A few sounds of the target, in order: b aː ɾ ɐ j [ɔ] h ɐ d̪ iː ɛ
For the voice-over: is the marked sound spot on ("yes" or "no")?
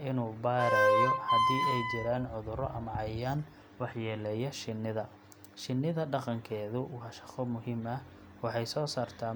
yes